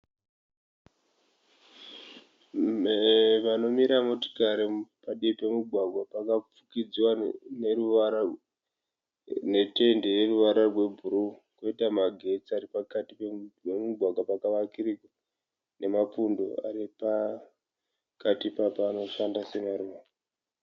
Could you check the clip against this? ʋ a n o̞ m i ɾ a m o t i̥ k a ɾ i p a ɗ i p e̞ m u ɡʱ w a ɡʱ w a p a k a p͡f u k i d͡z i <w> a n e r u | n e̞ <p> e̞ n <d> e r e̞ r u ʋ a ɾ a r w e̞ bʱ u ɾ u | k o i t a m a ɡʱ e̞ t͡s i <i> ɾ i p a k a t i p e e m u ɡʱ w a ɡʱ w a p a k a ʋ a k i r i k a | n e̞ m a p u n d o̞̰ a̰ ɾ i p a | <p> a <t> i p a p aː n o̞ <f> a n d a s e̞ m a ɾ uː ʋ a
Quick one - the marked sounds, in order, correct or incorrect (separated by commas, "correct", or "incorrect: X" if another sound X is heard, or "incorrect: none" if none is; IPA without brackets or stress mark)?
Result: correct, incorrect: t, correct, incorrect: a, incorrect: k, correct, incorrect: ʃ